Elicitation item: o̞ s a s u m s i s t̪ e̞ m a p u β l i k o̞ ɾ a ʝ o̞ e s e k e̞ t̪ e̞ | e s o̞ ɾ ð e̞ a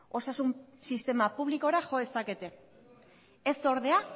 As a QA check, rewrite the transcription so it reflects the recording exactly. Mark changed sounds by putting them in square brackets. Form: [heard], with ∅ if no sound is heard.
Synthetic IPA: o̞ s a s u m s i s t̪ e̞ m a p u β l i k o̞ ɾ a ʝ o̞ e s [a] k e̞ t̪ e̞ | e s o̞ ɾ ð e̞ a

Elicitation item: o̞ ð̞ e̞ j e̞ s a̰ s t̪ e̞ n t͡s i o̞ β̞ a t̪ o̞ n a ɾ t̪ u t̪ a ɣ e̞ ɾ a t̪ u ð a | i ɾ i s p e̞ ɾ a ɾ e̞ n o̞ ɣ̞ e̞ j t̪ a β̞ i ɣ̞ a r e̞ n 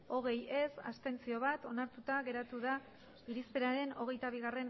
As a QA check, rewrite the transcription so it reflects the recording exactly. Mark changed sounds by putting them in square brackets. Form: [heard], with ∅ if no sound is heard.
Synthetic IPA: o̞ [ɣ̞] e̞ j e̞ s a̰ s t̪ e̞ n t͡s i o̞ β̞ a t̪ o̞ n a ɾ t̪ u t̪ a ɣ e̞ ɾ a t̪ u ð a | i ɾ i s p e̞ ɾ a ɾ e̞ n o̞ ɣ̞ e̞ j t̪ a β̞ i ɣ̞ a r e̞ n

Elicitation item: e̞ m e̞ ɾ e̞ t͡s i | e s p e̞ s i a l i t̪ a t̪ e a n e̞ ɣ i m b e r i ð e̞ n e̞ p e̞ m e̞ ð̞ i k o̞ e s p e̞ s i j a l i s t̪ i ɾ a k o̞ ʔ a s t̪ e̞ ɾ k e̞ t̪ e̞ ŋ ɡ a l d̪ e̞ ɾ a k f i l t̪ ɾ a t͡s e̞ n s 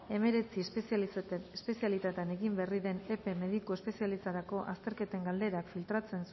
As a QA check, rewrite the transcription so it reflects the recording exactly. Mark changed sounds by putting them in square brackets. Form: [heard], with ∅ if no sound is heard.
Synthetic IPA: e̞ m e̞ ɾ e̞ t͡s i | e s p e̞ s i a l i t̪ a t̪ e a n e̞ ɣ i m b e r i ð e̞ n e̞ p e̞ m e̞ ð̞ i k o̞ e s p e̞ s i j a l i s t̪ [a] ɾ a k o̞ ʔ a s t̪ e̞ ɾ k e̞ t̪ e̞ ŋ ɡ a l d̪ e̞ ɾ a k f i l t̪ ɾ a t͡s e̞ n s

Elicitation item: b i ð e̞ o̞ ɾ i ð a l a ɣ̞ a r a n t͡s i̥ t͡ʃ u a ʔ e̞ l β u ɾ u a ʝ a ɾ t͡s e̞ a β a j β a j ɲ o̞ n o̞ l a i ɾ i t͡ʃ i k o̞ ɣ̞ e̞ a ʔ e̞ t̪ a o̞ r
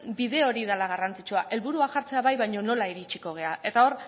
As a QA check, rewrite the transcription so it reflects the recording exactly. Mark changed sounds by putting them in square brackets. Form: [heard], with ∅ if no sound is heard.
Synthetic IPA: b i ð e̞ o̞ ɾ i ð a l a ɣ̞ a r a n t͡s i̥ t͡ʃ u a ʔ e̞ l β u ɾ u a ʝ a ɾ t͡s e̞ a β a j β a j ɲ o̞ n o̞ l a i ɾ i t͡ʃ i k o̞ ɣ̞ e̞ a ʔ e̞ t̪ a o̞ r

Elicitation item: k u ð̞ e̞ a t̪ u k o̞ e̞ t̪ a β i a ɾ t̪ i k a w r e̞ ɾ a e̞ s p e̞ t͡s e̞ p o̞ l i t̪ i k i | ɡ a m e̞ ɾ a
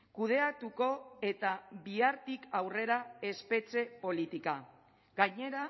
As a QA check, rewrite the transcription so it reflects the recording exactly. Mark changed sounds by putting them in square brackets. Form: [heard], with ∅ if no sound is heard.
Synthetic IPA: k u ð̞ e̞ a t̪ u k o̞ e̞ t̪ a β i a ɾ t̪ i k a w r e̞ ɾ a e̞ s p e̞ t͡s e̞ p o̞ l i t̪ i k [a] | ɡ a [ɲ] e̞ ɾ a

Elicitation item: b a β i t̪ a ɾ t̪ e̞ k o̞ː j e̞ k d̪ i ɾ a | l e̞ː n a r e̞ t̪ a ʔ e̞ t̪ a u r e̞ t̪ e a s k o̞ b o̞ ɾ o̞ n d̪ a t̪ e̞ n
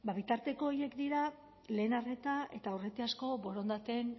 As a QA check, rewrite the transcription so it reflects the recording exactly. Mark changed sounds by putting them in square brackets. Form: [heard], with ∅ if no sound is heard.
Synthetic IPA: b a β i t̪ a ɾ t̪ e̞ k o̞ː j e̞ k d̪ i ɾ a | l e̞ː n a r e̞ t̪ a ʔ e̞ t̪ a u r e̞ t̪ e a s k o̞ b o̞ ɾ o̞ n d̪ a t̪ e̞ n

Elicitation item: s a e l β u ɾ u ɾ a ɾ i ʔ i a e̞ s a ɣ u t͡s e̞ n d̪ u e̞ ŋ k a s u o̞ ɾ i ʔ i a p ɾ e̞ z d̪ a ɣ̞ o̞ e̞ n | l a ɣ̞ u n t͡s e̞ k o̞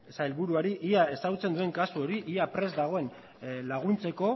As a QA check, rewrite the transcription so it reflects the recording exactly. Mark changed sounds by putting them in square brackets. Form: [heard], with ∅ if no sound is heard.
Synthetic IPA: s a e l β u ɾ u [∅] a ɾ i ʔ i a e̞ s a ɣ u t͡s e̞ n d̪ u e̞ ŋ k a s u o̞ ɾ i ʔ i a p ɾ e̞ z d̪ a ɣ̞ o̞ e̞ n | l a ɣ̞ u n t͡s e̞ k o̞

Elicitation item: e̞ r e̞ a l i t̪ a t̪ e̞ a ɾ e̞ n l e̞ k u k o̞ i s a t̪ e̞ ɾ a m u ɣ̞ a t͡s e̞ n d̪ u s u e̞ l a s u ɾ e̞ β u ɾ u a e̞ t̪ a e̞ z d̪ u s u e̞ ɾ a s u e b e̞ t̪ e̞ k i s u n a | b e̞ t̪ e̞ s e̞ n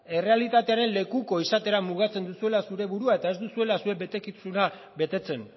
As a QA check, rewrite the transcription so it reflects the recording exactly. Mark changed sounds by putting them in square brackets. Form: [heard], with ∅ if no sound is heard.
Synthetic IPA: e̞ r e̞ a l i t̪ a t̪ e̞ a ɾ e̞ n l e̞ k u k o̞ i s a t̪ e̞ ɾ a m u ɣ̞ a t͡s e̞ n d̪ u s u e̞ l a s u ɾ e̞ β u ɾ u a e̞ t̪ a e̞ z d̪ u s u e̞ [l] a s u e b e̞ t̪ e̞ k i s u n a | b e̞ t̪ e̞ [t͡s] e̞ n

